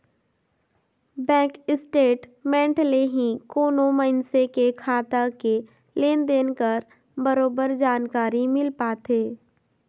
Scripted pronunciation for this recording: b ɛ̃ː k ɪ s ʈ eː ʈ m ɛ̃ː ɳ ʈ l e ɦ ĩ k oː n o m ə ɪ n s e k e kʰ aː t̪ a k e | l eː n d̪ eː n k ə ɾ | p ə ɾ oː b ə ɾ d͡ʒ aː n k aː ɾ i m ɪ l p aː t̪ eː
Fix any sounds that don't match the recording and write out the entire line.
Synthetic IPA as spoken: b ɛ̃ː k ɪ s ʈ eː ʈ m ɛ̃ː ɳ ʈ l e ɦ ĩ k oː n o m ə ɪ n s e k e kʰ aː t̪ a k e | l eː n d̪ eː n k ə ɾ | b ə ɾ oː b ə ɾ d͡ʒ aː n k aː ɾ i m ɪ l p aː t̪ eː